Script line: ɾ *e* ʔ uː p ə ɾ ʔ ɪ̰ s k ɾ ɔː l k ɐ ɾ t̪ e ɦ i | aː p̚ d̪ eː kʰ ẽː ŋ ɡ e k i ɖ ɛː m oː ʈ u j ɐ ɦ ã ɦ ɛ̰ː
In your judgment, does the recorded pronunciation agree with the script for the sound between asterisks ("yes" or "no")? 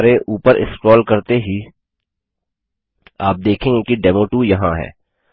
yes